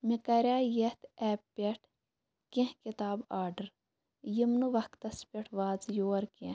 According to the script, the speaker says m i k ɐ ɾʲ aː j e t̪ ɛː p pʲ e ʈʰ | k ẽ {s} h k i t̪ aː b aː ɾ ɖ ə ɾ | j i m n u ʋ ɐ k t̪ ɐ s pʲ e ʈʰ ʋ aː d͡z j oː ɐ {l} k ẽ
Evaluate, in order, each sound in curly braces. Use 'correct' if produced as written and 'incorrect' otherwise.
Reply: incorrect, incorrect

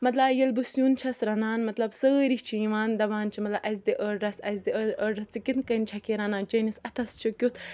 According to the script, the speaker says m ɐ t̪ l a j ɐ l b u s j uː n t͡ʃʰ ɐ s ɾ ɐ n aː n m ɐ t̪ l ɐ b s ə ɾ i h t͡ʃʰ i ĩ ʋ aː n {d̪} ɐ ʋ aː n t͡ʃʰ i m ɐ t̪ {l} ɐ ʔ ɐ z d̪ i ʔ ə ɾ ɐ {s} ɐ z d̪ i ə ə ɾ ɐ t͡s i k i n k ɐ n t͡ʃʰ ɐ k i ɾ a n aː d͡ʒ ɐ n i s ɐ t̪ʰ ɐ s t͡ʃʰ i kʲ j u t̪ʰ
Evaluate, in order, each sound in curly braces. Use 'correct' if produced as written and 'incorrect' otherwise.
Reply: correct, correct, correct

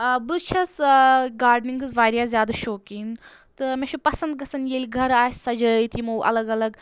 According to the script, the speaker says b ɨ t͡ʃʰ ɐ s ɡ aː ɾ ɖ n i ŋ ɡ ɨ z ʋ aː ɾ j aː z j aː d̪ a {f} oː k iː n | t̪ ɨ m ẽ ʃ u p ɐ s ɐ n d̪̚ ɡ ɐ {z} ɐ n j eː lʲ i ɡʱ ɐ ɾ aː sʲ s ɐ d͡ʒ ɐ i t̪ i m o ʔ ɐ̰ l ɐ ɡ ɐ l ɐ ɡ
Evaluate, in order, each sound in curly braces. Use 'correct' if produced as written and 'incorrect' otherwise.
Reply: incorrect, incorrect

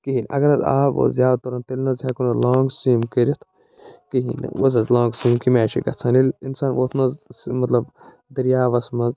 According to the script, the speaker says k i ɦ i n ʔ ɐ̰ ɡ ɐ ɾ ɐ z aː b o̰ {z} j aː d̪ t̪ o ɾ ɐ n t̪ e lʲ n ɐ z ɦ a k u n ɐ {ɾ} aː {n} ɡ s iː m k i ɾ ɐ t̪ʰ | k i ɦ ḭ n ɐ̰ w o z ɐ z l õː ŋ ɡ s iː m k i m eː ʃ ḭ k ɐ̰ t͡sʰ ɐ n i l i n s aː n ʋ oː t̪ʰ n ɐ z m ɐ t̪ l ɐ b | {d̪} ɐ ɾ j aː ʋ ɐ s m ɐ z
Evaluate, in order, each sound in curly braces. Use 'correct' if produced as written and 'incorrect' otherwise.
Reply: correct, incorrect, incorrect, correct

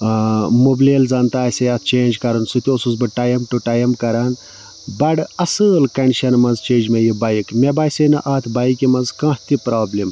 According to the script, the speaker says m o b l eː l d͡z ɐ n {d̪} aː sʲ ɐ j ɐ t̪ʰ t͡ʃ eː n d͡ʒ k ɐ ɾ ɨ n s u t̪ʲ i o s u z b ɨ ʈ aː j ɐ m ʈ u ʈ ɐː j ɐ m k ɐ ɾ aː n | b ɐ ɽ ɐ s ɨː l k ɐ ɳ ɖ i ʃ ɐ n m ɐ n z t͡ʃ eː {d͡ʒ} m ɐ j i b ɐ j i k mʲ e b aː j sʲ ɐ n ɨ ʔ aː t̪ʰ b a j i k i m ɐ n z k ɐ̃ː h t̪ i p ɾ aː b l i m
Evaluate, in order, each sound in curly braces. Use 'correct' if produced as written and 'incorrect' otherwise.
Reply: incorrect, correct

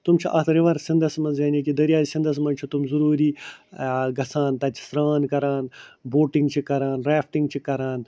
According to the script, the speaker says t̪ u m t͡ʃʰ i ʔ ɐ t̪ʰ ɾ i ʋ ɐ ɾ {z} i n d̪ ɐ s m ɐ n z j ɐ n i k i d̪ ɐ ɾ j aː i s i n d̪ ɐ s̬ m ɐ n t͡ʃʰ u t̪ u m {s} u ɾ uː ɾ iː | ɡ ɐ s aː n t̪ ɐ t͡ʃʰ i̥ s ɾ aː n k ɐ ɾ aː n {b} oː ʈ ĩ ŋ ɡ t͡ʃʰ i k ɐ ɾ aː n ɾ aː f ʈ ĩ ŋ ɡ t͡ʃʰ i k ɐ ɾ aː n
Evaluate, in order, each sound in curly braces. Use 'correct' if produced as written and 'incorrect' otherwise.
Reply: incorrect, incorrect, correct

